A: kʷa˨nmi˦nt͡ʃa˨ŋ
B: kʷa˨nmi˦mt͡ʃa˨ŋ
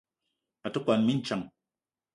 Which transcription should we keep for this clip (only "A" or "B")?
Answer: A